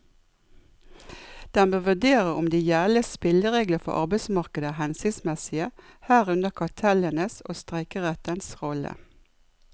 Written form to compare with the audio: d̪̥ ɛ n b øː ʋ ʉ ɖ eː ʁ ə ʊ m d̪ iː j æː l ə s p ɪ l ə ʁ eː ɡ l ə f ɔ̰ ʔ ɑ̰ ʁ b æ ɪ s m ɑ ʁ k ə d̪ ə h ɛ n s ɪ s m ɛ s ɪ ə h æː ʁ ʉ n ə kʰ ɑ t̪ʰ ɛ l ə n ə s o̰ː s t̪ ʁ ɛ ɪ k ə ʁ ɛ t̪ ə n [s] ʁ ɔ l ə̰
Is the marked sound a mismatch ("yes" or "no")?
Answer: no